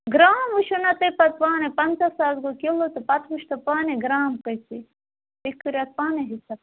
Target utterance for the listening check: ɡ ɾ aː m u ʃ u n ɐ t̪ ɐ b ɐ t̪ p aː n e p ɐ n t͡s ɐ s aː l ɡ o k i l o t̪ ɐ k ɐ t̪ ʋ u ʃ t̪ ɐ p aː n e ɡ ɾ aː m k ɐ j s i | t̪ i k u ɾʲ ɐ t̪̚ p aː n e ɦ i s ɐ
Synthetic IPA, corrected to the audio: ɡ ɾ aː m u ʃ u n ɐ t̪ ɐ p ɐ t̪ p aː n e p ɐ n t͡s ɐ s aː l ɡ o k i l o t̪ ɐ p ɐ t̪ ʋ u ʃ t̪ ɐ p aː n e ɡ ɾ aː m k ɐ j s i | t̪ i k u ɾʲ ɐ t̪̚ p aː n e ɦ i s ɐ